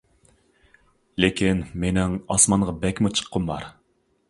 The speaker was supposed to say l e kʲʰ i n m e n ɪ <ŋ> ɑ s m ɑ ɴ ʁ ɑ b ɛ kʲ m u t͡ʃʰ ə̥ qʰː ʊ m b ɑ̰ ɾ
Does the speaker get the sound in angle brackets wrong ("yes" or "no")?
no